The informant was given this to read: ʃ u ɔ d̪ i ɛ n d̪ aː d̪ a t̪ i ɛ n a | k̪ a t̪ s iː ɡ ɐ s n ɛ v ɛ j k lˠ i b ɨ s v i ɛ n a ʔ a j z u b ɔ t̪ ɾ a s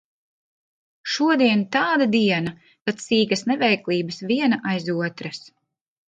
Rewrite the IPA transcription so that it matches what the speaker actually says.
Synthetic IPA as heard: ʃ u ɔ d̪ i ɛ n t̪ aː d̪ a d̪ i ɛ n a | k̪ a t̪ s iː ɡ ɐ s n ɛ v ɛ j k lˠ iː b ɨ s v i ɛ n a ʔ a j z u ɔ t̪ ɾ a s